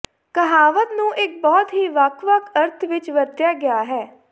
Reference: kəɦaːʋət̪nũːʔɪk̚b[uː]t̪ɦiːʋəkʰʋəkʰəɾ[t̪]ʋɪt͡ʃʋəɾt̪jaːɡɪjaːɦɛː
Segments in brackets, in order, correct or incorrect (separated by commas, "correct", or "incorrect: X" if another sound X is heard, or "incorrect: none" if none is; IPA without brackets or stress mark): incorrect: ɔː, incorrect: t̪ʰ